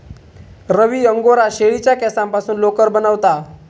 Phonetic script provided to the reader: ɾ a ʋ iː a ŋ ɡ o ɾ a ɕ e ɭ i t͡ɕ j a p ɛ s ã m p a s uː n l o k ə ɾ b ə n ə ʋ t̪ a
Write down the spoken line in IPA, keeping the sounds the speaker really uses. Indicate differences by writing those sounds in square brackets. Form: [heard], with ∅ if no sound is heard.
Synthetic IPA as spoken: ɾ [ə] ʋ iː [ə] ŋ ɡ o ɾ a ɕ e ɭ i t͡ɕ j a [k] ɛ s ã m p a s uː n l o k ə ɾ b ə n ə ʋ t̪ a